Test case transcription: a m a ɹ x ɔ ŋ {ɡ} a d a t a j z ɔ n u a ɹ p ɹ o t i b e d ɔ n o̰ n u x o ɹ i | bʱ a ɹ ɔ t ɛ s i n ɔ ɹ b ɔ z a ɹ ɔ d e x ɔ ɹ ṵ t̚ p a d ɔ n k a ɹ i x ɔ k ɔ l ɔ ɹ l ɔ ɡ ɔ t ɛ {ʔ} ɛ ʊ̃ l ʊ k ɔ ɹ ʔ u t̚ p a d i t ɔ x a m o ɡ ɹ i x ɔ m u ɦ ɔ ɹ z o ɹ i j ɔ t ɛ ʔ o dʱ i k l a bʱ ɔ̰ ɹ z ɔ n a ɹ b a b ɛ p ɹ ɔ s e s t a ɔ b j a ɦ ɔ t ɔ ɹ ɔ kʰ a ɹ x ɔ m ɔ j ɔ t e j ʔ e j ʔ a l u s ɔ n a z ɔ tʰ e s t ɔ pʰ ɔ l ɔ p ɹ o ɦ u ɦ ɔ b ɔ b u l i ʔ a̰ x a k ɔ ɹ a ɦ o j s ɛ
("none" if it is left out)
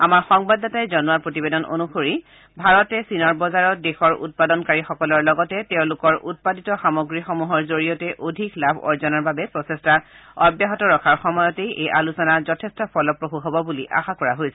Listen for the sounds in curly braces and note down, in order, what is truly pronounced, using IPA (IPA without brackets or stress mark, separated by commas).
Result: b, t